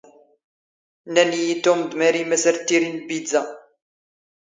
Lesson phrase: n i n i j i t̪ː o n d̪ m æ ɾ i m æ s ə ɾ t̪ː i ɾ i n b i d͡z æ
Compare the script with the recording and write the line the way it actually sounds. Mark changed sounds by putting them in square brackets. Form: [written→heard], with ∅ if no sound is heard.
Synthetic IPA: n [i→æ] n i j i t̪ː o [n→m] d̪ m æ ɾ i m æ s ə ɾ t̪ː i ɾ i n b i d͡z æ